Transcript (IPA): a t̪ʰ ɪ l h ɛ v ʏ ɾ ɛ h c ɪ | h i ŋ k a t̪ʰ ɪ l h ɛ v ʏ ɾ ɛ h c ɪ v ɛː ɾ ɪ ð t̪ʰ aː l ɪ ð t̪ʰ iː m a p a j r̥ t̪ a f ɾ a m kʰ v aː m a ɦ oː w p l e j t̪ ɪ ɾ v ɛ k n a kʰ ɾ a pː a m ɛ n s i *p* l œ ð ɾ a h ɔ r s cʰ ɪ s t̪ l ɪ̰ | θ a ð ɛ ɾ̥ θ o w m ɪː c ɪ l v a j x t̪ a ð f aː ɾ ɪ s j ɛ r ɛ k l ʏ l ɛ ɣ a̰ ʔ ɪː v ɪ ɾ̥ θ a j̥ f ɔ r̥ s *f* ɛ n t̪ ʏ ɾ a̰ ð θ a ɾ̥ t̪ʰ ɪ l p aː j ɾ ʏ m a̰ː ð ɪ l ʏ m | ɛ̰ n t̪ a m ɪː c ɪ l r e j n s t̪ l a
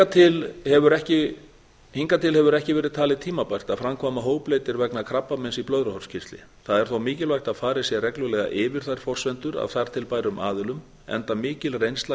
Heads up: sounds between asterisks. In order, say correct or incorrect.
correct, incorrect: v

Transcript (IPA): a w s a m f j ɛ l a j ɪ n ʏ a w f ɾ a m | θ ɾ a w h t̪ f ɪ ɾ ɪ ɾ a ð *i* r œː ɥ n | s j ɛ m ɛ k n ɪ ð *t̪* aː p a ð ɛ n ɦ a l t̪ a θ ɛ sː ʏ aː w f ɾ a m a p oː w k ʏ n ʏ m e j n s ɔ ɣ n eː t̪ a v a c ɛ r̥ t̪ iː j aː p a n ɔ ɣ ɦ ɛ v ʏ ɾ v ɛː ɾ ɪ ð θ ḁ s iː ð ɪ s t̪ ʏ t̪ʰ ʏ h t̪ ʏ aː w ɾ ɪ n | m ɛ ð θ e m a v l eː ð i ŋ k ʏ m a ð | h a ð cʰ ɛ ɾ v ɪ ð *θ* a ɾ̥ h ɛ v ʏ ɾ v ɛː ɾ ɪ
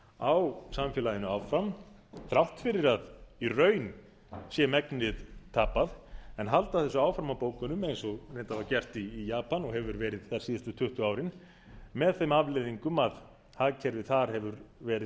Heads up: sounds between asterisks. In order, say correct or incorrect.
correct, incorrect: t̪ʰ, correct

